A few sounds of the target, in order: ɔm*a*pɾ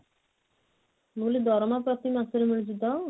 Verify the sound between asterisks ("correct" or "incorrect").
correct